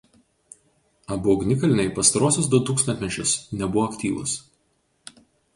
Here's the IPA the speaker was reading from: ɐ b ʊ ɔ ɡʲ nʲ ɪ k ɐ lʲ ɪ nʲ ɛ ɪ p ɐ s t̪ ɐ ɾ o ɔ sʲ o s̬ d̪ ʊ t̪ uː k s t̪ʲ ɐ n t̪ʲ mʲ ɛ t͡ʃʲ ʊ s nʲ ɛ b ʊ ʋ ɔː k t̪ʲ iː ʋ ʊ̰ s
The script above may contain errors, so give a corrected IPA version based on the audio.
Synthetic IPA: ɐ b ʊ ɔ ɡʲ nʲ ɪ k ɐ lʲ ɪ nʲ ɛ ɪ p ɐ s t̪ ɐ ɾ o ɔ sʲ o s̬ d̪ ʊ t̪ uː k s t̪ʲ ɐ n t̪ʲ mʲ ɛ t͡ʃʲ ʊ s nʲ ɛ b ʊ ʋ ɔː k t̪ʲ iː ʋ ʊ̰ s

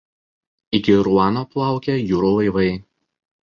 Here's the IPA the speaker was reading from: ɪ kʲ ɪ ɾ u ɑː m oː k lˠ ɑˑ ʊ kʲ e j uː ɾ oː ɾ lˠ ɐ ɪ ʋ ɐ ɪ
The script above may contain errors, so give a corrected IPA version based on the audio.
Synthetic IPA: ɪ kʲ ɪ ɾ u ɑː n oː p lˠ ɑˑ ʊ kʲ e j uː ɾ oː lˠ ɐ ɪ ʋ ɐ ɪ

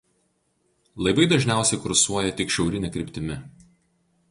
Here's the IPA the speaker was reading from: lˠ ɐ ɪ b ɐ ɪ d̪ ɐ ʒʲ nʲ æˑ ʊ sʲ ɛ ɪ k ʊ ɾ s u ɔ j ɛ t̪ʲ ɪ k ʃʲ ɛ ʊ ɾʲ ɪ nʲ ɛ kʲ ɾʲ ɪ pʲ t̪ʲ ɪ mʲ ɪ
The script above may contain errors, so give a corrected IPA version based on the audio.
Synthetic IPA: lˠ ɐ ɪ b ɐ ɪ d̪ ɐ ʒʲ nʲ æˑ ʊ sʲ ɛ ɪ k ʊ ɾ s u ɔ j ɛ t̪ʲ ɪ k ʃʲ ɛ ʊ ɾʲ ɪ nʲ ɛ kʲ ɾʲ ɪ pʲ t̪ʲ ɪ mʲ ɪ

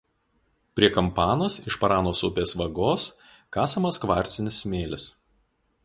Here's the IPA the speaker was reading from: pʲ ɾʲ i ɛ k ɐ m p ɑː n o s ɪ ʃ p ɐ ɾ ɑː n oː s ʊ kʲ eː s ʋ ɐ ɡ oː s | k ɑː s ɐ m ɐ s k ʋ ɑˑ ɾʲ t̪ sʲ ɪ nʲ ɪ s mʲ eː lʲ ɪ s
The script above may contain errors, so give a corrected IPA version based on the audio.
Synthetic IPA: pʲ ɾʲ i ɛ k ɐ m p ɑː n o s ɪ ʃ p ɐ ɾ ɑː n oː s ʊ pʲ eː s ʋ ɐ ɡ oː s | k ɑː s ɐ m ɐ s k ʋ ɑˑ ɾʲ t̪ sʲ ɪ nʲ ɪ s mʲ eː lʲ ɪ s

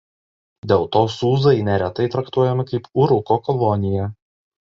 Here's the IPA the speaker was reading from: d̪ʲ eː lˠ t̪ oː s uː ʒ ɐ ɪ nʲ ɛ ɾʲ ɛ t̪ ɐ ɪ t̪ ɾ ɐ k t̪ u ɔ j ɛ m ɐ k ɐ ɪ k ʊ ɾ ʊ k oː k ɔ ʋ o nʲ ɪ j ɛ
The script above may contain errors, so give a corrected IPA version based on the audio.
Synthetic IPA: d̪ʲ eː lˠ t̪ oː s uː z ɐ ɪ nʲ ɛ ɾʲ ɛ t̪ ɐ ɪ t̪ ɾ ɐ k t̪ u ɔ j ɛ m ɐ k ɐ ɪ p ʊ ɾ ʊ k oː k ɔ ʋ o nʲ ɪ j ɛ

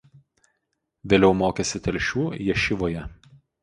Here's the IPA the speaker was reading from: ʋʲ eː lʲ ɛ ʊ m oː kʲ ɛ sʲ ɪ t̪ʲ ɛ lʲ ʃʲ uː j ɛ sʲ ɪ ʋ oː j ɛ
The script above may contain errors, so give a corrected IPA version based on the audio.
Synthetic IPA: ʋʲ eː lʲ ɛ ʊ m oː kʲ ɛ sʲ ɪ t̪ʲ ɛ lʲ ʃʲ uː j ɛ ʃʲ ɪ ʋ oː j ɛ

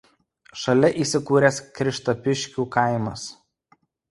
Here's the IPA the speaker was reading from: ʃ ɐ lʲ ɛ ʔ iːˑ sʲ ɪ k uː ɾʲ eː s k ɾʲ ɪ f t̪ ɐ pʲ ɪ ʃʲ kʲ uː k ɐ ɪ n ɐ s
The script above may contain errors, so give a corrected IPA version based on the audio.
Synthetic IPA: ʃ ɐ lʲ ɛ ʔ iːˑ sʲ ɪ k uː ɾʲ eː s k ɾʲ ɪ ʃ t̪ ɐ pʲ ɪ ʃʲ kʲ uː k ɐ ɪ m ɐ s

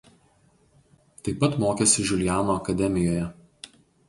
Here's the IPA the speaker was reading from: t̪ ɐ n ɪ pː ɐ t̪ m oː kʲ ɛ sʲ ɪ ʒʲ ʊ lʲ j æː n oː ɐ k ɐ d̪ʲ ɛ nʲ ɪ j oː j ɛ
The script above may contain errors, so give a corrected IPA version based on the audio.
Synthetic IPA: t̪ ɐ ɪ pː ɐ t̪ m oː kʲ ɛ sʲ ɪ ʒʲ ʊ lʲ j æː n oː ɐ k ɐ d̪ʲ ɛ mʲ ɪ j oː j ɛ

